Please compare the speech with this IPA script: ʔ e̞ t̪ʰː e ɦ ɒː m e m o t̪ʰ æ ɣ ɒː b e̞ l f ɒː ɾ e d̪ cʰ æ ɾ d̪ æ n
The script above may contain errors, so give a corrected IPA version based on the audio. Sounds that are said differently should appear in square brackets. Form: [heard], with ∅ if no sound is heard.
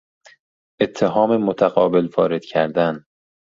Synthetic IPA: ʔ e̞ t̪ʰː e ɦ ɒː m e m o t̪ʰ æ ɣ ɒː b e̞ l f ɒː ɾ e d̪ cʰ æ ɾ d̪ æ n